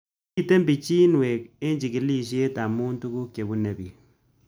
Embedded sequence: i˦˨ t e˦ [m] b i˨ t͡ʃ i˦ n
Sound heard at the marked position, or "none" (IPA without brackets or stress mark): m